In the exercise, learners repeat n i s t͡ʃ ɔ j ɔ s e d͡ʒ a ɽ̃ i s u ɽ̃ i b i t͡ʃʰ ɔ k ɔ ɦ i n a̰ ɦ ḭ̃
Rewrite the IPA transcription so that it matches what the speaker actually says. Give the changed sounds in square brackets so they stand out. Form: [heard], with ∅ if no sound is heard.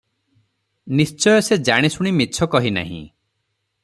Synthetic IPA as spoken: n i s t͡ʃ ɔ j ɔ s e d͡ʒ a ɽ̃ i s u ɽ̃ i [m] i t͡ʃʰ ɔ k ɔ ɦ i n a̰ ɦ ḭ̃